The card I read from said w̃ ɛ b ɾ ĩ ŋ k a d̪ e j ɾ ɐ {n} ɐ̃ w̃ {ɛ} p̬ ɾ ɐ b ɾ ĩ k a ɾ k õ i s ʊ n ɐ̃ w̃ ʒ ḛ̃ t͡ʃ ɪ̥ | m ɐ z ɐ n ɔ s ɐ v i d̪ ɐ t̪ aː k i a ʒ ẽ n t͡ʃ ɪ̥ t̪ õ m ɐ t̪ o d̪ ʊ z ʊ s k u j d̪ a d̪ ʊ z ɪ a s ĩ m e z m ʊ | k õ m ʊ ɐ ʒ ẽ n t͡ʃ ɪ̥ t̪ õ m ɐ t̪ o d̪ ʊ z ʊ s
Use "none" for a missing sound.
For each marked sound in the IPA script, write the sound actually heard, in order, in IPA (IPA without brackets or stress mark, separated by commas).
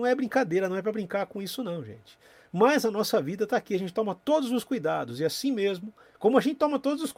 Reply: n, ɛ